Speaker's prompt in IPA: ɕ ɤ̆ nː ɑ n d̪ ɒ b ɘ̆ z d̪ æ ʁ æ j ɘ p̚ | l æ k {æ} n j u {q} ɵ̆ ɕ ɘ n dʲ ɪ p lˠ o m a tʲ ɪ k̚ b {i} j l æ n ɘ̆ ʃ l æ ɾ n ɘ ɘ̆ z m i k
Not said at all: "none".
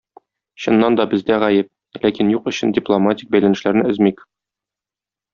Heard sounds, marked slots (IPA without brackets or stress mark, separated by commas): i, q, æ